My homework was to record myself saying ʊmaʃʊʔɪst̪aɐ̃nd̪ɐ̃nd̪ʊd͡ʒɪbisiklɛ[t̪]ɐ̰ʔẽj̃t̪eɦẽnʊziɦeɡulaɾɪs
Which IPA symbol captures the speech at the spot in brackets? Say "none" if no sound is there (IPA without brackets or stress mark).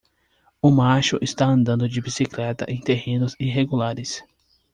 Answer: t̪